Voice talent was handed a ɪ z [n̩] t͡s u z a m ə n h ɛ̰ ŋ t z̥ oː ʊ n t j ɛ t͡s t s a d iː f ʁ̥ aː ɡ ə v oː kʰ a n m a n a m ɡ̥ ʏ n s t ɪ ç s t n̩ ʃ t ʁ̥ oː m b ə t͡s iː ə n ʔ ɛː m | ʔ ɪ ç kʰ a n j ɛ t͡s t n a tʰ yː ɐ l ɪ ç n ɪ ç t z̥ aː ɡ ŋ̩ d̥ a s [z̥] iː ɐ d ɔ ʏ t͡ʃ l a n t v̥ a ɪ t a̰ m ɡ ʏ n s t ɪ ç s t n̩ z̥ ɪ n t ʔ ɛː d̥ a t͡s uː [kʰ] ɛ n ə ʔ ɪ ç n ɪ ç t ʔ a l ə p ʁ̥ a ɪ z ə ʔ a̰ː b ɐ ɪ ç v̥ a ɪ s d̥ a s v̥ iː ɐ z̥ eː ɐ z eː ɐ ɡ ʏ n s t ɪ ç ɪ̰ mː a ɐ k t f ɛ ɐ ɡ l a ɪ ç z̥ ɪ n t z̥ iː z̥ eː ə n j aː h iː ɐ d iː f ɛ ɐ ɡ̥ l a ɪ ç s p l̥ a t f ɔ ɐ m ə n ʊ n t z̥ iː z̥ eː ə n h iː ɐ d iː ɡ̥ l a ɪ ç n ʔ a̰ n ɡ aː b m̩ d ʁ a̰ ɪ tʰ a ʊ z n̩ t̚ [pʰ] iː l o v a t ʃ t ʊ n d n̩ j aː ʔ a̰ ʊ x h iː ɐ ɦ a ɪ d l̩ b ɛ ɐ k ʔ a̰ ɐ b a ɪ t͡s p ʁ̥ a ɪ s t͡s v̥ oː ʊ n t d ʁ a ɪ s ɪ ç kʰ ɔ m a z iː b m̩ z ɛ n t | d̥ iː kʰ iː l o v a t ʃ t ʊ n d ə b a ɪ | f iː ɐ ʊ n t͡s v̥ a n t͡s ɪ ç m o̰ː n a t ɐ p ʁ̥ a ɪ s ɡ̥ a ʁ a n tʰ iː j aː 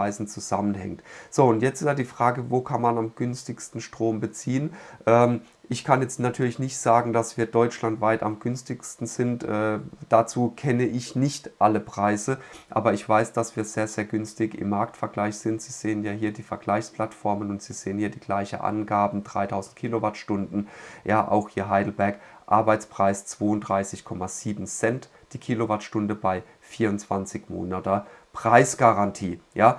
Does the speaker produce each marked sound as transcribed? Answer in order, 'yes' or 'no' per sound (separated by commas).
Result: yes, no, yes, no